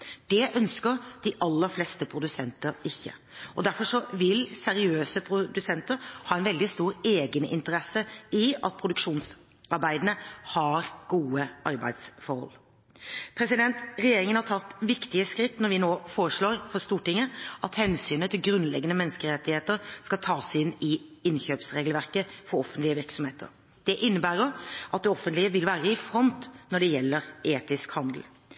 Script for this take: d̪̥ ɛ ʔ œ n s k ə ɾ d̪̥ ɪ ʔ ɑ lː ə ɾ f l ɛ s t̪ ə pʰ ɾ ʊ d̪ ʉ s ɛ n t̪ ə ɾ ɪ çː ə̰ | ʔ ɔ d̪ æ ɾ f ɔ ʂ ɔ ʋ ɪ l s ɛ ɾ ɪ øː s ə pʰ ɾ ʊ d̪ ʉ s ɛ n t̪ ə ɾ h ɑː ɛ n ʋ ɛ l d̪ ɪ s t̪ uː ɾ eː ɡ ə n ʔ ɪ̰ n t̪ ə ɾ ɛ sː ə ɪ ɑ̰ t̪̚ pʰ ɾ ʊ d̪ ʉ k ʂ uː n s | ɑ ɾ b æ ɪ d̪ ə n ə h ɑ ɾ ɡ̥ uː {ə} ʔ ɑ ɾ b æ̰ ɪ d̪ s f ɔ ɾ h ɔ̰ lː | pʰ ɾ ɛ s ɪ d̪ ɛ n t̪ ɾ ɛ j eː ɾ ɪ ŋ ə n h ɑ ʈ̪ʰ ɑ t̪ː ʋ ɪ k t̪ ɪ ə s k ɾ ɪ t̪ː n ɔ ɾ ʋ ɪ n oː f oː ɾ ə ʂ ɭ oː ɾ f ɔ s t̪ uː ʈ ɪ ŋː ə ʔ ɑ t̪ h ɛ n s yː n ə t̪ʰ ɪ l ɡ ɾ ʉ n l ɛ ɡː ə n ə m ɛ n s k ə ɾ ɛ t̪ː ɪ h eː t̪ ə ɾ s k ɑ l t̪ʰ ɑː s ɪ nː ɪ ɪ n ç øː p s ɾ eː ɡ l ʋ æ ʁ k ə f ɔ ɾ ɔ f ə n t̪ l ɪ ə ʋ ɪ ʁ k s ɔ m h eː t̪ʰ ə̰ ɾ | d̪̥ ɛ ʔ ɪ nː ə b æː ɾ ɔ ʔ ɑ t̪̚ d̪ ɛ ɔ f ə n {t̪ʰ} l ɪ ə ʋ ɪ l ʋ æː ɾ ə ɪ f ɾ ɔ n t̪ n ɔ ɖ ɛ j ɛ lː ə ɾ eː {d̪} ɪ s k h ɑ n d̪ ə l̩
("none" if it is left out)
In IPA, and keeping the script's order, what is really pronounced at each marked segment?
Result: ə, t̪, t̪

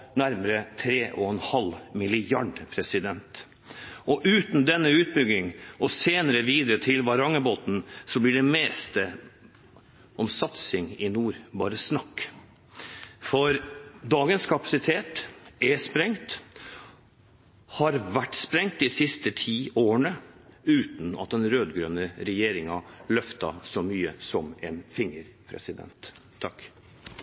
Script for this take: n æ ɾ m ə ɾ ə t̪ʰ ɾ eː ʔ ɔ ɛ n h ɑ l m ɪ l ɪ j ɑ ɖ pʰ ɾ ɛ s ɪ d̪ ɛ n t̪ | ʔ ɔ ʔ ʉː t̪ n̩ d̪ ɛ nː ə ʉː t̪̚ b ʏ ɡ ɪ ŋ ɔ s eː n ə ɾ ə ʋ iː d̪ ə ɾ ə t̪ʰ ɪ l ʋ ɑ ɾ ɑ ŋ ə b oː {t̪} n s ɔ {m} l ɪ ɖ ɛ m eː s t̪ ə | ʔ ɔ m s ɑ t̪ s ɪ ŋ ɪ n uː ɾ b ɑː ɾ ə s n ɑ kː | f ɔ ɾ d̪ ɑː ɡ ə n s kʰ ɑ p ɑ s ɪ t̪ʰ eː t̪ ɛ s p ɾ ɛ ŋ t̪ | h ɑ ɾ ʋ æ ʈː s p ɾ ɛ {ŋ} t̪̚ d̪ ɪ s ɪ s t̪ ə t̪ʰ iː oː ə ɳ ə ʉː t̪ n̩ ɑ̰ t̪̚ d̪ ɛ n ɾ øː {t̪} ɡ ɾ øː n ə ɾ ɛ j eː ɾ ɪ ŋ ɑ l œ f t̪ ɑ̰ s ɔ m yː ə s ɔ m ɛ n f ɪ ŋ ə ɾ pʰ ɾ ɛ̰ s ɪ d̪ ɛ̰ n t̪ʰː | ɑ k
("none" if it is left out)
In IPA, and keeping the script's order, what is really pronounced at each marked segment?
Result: t̪, b, ŋ, d̪

